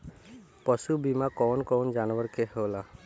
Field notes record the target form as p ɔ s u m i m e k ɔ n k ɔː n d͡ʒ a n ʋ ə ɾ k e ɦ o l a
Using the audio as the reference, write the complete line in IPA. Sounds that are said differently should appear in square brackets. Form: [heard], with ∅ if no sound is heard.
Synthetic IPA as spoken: p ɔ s u [b] i m [a] k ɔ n k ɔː n d͡ʒ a n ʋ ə ɾ k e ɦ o l a